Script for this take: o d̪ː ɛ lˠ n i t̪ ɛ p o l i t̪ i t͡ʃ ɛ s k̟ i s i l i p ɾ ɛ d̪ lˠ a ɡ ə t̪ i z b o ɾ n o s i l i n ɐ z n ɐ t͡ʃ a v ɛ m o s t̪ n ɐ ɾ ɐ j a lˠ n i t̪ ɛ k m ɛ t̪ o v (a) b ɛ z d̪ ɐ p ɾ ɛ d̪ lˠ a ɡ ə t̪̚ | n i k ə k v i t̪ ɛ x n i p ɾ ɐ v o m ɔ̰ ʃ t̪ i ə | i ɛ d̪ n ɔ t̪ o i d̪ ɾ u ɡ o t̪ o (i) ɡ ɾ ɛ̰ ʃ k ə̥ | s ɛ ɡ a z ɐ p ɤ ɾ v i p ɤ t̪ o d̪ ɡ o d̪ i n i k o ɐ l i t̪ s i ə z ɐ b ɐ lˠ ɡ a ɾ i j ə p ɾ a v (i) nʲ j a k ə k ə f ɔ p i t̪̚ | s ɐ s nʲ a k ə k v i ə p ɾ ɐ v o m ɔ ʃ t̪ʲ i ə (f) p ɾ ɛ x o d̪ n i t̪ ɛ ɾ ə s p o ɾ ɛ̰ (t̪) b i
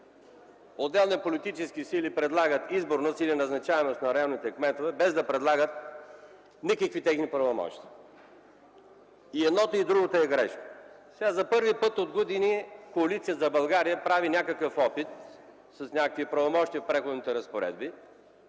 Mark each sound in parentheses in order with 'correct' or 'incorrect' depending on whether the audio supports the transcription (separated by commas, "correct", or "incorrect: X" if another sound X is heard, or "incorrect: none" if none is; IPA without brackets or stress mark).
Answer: incorrect: ɛ, incorrect: ɛ, correct, correct, incorrect: d̪